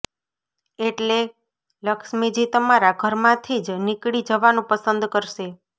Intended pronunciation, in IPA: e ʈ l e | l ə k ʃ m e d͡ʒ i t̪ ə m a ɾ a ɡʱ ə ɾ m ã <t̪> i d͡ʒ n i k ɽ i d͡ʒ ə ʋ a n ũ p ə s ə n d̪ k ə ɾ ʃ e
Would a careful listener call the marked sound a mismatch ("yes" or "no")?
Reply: yes